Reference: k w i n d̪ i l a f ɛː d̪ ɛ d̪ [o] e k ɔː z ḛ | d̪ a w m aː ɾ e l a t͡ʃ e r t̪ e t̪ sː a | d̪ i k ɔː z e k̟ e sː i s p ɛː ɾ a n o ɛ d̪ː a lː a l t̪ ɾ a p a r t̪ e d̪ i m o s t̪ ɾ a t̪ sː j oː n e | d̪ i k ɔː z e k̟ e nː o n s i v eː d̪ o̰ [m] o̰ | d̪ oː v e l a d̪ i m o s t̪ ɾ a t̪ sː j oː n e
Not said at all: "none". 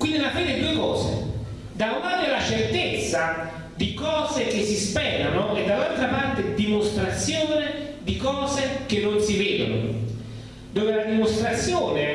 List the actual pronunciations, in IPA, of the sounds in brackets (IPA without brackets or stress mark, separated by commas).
u, n